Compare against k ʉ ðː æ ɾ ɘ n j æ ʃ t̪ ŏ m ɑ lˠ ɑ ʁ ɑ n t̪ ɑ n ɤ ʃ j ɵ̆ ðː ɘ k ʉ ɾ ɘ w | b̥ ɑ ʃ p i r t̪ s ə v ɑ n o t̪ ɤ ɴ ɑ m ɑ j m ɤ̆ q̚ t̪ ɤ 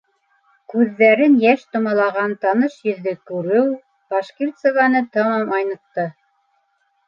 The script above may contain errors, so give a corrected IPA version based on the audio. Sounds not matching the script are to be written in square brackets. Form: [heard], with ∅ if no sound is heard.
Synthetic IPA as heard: k ʉ ðː æ ɾ ɘ n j æ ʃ t̪ ŏ m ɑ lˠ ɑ ʁ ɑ n t̪ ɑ n ɤ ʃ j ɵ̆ ðː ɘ k ʉ ɾ ɘ w | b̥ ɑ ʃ [k] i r t̪ s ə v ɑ n [ɤ] t̪ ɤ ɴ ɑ m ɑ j [n] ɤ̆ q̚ t̪ ɤ